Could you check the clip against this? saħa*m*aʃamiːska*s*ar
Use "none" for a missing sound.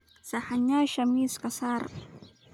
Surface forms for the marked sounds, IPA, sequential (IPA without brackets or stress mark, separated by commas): ɲ, s